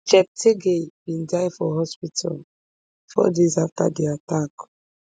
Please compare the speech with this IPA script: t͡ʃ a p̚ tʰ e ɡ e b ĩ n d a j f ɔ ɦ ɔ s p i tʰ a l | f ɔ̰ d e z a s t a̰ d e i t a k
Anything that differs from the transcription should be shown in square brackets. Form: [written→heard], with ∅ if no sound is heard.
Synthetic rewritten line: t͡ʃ [a→ɛ] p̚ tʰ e ɡ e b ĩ n d a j f ɔ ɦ ɔ s p i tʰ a l | f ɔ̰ d e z a [s→f] t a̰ d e [i→a] t a k